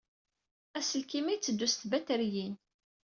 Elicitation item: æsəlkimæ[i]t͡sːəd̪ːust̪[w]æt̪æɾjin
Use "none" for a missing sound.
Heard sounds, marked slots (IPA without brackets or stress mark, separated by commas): j, b